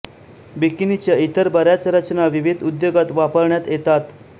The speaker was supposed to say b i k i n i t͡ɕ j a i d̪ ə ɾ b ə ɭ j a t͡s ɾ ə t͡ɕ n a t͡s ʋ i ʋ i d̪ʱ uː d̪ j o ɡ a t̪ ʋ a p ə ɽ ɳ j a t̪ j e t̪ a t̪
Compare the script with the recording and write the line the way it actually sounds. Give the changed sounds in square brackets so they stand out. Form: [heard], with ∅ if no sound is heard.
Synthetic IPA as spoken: b i k i n i t͡ɕ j a i [t̪] ə ɾ b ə [ɾ] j a t͡s ɾ ə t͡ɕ n a [∅] ʋ i ʋ i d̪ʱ [u] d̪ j o ɡ a t̪ ʋ a p ə [ɾ] ɳ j a t̪ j e t̪ a t̪